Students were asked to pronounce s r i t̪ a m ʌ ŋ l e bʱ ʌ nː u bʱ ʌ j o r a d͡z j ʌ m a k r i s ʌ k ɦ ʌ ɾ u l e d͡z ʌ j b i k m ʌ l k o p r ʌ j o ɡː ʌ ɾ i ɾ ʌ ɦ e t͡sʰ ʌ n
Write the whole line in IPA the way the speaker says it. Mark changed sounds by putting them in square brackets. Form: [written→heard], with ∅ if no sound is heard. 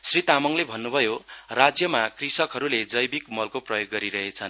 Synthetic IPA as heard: s r i t̪ a m ʌ ŋ l e bʱ ʌ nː u bʱ ʌ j o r a d͡z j ʌ m a k r i s ʌ k ɦ ʌ ɾ u l e d͡z ʌ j b i k m ʌ l k o p r ʌ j o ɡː ʌ ɾ i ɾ ʌ ɦ e t͡sʰ ʌ n